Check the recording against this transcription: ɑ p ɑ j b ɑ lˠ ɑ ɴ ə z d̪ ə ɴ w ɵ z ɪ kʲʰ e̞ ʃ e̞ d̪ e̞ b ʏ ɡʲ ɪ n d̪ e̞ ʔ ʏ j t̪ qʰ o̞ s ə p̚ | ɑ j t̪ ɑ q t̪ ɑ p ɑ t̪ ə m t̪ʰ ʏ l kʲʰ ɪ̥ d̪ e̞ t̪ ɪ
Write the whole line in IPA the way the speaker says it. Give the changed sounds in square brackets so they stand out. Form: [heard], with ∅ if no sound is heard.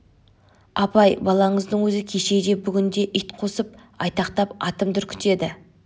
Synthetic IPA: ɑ p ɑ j b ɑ lˠ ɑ ɴ ə z d̪ ə ɴ w ɵ z ɪ kʲʰ e̞ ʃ e̞ d̪ e̞ b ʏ ɡʲ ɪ n d̪ e̞ ʔ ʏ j t̪ qʰ o̞ s ə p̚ | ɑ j t̪ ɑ q t̪ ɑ p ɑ t̪ ə m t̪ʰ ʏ [ɾ] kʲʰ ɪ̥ [t̪] e̞ [d̪] ɪ